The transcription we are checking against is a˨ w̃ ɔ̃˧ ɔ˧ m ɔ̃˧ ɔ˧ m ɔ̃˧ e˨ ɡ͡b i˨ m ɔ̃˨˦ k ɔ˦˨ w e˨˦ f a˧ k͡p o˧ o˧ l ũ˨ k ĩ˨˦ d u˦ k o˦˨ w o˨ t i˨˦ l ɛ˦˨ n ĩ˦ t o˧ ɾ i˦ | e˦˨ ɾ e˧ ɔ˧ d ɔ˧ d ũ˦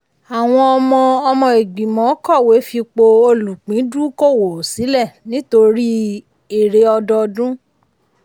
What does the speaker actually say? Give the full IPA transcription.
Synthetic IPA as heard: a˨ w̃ ɔ̃˧ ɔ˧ m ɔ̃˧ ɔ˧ m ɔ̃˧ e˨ ɡ͡b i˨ m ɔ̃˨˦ k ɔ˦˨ w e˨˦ f i˧ k͡p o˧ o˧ l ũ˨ k͡p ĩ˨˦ d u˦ k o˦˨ w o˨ s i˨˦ l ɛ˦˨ n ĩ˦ t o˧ ɾ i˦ | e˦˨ ɾ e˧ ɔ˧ d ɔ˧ d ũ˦